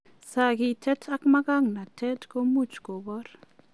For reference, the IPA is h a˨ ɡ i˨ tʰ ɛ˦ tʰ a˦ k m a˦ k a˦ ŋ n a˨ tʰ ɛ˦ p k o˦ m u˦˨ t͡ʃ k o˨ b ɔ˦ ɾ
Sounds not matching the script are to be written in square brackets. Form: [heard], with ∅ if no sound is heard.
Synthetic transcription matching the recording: [s] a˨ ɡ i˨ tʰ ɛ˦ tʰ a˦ k m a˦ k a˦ ŋ n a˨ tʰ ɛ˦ [t] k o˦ m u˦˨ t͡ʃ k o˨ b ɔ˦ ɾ